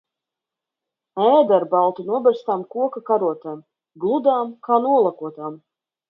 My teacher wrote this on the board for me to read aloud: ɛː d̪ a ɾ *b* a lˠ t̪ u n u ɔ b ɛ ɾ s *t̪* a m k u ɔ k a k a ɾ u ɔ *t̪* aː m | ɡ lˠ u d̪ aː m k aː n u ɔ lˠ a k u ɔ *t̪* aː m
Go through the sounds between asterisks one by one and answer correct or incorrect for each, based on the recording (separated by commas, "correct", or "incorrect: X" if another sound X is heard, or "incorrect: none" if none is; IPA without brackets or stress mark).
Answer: correct, correct, correct, correct